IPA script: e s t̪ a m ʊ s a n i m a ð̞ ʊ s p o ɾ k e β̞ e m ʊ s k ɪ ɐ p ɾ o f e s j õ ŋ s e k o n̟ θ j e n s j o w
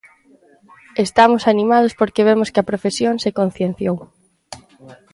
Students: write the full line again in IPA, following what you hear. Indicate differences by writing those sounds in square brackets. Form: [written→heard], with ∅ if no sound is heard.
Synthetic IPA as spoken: e s t̪ a m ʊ s a n i m a ð̞ ʊ s p o ɾ k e β̞ e m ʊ s k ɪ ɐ p ɾ o f e s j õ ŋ s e k o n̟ θ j e n [s→θ] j o w